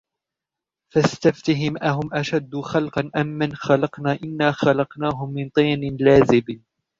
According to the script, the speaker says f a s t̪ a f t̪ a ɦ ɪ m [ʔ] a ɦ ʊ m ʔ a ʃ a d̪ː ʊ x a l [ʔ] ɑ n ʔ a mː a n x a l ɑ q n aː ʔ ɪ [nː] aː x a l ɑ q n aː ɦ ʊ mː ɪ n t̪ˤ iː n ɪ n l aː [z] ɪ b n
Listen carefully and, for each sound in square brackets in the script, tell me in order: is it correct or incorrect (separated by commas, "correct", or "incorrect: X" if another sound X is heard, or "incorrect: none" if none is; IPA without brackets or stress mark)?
correct, incorrect: q, correct, correct